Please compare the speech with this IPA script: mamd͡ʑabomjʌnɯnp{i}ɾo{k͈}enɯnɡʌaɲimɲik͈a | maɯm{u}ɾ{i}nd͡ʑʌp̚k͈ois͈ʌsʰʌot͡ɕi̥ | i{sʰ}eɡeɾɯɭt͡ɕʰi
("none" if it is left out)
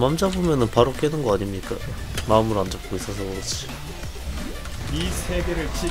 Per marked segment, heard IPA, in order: a, k͈, ɯ, a, sʰ

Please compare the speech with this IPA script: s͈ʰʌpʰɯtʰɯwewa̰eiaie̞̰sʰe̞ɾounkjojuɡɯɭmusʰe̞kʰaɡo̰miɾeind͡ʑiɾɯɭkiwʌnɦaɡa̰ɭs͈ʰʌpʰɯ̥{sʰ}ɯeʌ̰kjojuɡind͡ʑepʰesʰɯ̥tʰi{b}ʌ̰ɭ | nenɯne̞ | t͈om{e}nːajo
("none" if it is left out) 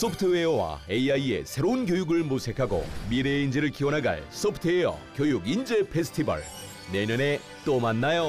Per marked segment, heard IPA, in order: tʰ, b, a

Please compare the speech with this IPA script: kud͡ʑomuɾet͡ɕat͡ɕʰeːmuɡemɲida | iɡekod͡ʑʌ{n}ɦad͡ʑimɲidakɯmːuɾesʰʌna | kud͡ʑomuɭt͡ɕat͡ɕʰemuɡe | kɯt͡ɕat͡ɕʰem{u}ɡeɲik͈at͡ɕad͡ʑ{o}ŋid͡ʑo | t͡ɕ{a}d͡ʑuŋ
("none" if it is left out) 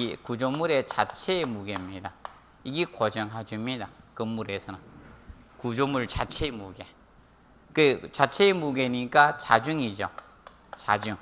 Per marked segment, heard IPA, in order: ŋ, u, u, a

